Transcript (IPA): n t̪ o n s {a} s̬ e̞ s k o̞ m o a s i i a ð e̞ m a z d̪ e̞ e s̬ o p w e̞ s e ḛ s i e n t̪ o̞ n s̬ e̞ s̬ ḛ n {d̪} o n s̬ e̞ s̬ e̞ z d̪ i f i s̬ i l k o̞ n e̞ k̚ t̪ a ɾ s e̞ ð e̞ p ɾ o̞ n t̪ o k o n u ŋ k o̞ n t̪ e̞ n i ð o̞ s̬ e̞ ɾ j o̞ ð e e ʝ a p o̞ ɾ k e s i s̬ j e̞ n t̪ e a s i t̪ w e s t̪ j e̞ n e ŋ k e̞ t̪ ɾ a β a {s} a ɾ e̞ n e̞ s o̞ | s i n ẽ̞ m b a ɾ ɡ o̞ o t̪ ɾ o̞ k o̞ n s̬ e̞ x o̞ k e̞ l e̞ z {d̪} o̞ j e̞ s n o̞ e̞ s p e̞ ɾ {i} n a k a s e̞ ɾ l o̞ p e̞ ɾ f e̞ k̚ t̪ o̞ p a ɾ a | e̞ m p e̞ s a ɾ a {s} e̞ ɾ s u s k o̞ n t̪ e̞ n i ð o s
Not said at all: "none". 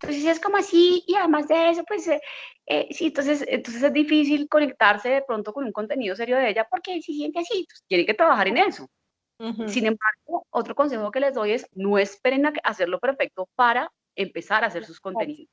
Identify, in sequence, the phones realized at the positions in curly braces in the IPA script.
e, t̪, x, d̪, e, s

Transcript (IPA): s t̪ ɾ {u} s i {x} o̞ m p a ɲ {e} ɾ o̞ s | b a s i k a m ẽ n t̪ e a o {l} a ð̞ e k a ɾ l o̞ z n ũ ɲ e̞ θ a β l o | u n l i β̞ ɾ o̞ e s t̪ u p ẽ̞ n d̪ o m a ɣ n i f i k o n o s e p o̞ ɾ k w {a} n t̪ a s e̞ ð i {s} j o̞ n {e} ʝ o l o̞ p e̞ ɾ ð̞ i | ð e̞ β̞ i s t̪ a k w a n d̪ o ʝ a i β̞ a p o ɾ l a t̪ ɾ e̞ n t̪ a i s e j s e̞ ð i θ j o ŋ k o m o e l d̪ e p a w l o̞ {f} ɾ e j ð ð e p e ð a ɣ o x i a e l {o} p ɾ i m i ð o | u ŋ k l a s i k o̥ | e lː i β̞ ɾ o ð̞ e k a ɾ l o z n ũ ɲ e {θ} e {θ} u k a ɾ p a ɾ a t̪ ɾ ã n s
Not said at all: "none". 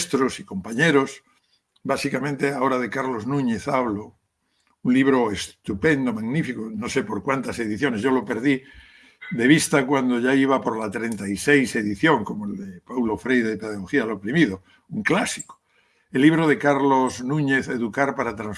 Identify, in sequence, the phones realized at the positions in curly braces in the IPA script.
o, k, e, ɾ, a, θ, e, f, o, θ, ð

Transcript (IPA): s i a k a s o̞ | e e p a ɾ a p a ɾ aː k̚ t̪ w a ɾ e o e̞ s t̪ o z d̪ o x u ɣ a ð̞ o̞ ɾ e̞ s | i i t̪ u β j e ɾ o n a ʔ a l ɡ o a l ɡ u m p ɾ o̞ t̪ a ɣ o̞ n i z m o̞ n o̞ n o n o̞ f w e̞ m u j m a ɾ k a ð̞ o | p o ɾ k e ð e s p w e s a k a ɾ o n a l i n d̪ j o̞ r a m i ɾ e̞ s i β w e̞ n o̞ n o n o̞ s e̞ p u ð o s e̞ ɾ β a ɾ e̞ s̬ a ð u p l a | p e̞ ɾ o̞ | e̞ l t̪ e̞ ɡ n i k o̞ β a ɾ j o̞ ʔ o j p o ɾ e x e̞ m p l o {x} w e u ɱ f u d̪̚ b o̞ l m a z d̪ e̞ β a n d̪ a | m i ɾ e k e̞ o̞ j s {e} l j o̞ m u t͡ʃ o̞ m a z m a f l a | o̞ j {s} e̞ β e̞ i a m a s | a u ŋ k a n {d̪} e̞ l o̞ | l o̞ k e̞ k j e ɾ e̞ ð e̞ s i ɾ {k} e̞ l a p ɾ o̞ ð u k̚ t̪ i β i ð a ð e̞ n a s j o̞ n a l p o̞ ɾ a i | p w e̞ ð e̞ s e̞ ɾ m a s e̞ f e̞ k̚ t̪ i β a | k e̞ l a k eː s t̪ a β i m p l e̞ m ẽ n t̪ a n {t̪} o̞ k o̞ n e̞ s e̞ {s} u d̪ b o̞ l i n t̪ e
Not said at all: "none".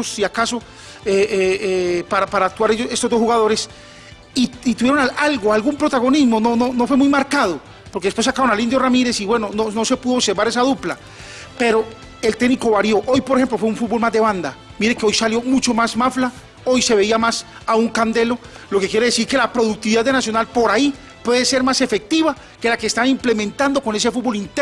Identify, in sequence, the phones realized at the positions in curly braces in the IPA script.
f, a, s, d̪, k, d̪, f

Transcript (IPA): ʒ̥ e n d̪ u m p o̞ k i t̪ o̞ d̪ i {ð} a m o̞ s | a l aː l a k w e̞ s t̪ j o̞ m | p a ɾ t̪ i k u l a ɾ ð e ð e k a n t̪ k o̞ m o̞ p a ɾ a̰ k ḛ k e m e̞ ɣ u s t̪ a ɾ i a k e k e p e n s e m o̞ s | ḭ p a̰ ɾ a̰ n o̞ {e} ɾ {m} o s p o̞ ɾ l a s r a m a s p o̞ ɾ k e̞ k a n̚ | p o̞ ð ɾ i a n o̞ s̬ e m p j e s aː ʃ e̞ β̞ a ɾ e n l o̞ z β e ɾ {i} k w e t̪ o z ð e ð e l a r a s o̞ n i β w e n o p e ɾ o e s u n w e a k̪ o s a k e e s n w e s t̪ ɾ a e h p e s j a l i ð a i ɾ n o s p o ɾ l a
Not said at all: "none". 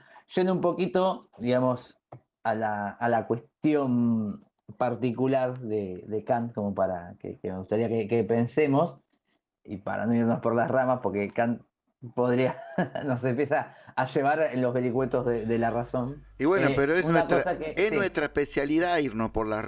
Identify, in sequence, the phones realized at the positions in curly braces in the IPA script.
ɣ, i, n, i

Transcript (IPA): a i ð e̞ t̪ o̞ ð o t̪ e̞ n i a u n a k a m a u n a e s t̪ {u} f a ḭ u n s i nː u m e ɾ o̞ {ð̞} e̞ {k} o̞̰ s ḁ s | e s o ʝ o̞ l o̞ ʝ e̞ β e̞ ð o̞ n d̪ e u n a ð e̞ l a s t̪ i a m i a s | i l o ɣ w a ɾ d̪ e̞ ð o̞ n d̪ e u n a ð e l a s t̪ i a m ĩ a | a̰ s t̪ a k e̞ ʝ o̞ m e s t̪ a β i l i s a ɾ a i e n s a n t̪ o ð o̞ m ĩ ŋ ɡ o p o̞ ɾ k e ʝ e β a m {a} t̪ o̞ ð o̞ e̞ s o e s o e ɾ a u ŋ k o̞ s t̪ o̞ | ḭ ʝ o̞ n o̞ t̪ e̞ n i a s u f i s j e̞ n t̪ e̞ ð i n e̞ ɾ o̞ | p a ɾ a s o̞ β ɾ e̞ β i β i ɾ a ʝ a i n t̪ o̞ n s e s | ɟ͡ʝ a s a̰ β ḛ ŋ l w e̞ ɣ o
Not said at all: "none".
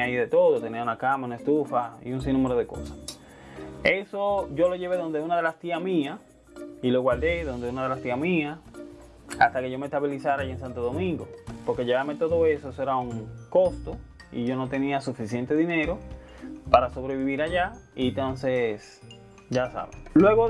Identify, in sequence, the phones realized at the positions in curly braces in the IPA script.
u, ð̞, k, e

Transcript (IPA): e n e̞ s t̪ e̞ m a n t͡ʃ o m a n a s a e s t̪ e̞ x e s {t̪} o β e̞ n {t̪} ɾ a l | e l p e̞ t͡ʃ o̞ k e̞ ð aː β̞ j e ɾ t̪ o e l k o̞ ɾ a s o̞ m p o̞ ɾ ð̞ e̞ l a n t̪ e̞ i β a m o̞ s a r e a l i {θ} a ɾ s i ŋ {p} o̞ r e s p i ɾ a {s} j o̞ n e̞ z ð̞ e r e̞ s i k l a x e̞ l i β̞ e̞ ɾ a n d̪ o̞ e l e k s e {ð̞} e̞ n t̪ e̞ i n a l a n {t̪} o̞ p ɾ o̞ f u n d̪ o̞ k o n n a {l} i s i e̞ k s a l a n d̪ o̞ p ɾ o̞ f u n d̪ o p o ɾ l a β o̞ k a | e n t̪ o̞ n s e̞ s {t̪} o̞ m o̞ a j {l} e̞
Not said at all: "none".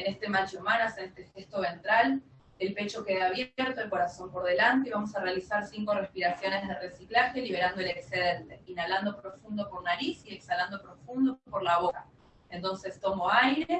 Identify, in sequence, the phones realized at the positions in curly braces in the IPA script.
t̪, t̪, s, k, s, ð̞, d̪, ɾ, t̪, ɾ

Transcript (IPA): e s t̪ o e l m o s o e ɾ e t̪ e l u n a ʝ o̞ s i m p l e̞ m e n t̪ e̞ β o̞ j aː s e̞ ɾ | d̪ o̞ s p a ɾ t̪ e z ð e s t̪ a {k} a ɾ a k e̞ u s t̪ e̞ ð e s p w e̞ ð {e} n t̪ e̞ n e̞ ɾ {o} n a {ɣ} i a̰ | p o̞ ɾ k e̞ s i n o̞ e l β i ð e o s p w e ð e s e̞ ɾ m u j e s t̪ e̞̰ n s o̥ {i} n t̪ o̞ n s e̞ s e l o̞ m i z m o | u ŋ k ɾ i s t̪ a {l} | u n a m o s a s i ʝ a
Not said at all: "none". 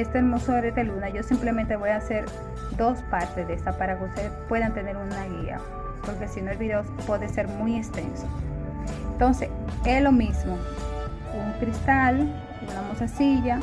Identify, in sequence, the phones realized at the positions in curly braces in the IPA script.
p, a, u, ɣ, e, l

